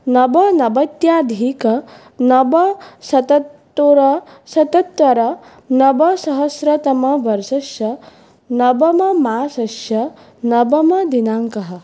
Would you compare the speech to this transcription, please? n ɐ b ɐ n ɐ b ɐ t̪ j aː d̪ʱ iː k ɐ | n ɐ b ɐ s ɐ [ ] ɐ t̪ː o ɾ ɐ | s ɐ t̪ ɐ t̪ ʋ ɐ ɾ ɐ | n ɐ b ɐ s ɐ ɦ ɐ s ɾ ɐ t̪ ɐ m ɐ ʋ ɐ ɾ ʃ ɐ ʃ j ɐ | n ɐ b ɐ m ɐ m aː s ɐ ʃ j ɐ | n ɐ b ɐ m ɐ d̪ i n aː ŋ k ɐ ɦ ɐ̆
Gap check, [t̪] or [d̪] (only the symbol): t̪